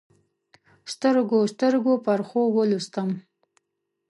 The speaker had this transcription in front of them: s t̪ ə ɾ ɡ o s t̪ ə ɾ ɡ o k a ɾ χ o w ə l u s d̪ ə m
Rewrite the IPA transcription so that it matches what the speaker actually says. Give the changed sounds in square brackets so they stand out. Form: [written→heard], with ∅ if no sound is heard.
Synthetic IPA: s t̪ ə ɾ ɡ o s t̪ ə ɾ ɡ o [k→p] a ɾ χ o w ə l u s [d̪→t̪] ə m